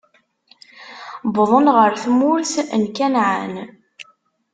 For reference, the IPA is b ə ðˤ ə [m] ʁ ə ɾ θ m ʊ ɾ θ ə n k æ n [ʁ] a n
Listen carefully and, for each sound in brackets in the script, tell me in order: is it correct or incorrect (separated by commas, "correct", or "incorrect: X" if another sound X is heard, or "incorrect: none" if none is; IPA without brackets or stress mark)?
incorrect: n, incorrect: ʕ